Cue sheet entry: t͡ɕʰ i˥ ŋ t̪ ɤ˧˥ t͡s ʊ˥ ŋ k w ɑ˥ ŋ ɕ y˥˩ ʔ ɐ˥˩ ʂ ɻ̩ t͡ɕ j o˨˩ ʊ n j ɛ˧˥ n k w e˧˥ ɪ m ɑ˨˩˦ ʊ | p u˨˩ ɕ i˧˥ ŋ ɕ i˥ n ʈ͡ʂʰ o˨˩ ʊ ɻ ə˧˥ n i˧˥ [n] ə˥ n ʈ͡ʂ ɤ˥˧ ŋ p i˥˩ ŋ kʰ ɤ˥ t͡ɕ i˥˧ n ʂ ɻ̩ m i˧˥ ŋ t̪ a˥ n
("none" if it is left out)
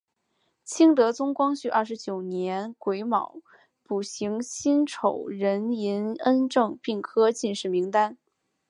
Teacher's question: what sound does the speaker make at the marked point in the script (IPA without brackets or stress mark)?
n